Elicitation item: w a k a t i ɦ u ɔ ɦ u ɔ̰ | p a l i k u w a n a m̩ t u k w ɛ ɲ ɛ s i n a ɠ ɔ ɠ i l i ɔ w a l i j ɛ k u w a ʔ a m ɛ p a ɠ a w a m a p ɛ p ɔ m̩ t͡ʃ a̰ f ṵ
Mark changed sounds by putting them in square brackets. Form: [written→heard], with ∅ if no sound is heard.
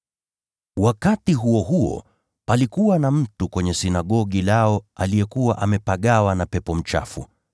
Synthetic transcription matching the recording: w a k a t i ɦ u ɔ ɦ u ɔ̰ | p a l i k u w a n a m̩ t u k w ɛ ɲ ɛ s i n a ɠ ɔ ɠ i l [i→a] ɔ [w→∅] a l i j ɛ k u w a ʔ a m ɛ p a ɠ a w a [m→n] a p ɛ p ɔ m̩ t͡ʃ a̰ f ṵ